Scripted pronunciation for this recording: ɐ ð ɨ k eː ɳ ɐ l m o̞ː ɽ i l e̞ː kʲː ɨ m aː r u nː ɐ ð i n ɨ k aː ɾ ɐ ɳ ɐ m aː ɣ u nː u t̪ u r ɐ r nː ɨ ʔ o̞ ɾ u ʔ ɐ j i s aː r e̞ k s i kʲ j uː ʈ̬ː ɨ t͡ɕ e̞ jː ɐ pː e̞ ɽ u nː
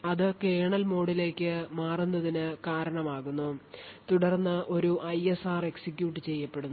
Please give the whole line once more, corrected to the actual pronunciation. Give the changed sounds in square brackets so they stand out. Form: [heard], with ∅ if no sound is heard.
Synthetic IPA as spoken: ɐ ð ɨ k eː ɳ ɐ l m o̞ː ɽ i l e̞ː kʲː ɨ m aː r u nː ɐ ð i n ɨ k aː ɾ ɐ ɳ ɐ m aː ɣ u nː u t̪ u [ɽ] ɐ r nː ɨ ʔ o̞ ɾ u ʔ ɐ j [e] s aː r e̞ k s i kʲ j uː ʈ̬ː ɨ t͡ɕ e̞ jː ɐ pː e̞ ɽ u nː